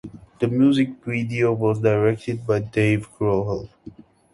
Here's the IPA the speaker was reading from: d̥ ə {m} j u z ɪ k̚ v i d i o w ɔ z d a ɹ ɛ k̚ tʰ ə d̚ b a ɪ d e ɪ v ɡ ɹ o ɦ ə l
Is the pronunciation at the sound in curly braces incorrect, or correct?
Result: correct